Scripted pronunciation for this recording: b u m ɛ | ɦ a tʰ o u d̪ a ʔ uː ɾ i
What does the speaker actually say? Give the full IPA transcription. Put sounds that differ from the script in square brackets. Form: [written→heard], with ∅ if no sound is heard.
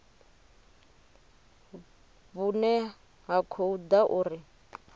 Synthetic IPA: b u [m→n] ɛ | ɦ a [tʰ→kʰ] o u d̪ a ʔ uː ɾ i